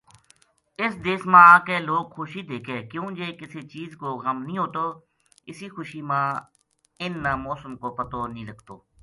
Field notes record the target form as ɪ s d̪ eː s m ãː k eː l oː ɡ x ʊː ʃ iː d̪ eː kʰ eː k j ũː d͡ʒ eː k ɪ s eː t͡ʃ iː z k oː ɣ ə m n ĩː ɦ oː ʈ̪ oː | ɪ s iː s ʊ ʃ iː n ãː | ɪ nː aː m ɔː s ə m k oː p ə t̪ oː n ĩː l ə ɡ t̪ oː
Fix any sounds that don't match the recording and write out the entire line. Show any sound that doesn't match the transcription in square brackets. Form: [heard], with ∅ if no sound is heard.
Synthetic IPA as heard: ɪ s d̪ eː s m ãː k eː l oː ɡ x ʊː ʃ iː d̪ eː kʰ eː k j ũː d͡ʒ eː k ɪ s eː t͡ʃ iː z k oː ɣ ə m n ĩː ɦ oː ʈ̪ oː | ɪ s iː [x] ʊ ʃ iː [m] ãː | ɪ nː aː m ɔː s ə m k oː p ə t̪ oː n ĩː l ə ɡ t̪ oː